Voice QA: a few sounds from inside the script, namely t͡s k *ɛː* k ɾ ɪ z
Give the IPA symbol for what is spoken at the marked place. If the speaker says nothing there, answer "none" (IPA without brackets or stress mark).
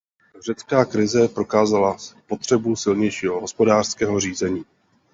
aː